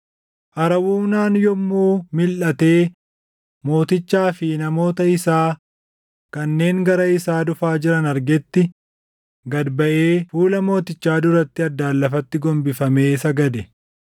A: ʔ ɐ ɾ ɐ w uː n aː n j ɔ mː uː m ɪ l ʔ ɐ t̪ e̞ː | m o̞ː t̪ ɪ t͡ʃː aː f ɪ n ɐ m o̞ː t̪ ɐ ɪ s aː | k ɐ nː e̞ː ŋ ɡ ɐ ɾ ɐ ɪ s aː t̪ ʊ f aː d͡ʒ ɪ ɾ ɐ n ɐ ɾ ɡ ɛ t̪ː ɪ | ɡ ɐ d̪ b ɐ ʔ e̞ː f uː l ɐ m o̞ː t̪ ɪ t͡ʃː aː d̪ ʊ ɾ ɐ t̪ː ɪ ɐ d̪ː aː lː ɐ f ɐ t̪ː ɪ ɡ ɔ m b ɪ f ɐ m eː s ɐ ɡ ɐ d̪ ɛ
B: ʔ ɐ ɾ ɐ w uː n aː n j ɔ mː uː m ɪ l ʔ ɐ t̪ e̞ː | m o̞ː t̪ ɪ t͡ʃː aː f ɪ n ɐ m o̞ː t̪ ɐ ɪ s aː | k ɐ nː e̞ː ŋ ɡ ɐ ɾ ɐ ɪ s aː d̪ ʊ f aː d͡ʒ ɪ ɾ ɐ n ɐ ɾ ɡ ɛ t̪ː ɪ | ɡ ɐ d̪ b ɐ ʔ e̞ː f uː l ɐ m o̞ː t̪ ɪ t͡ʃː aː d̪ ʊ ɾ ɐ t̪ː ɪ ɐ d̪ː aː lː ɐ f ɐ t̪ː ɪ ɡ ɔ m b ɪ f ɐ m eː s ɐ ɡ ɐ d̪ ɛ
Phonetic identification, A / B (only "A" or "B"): B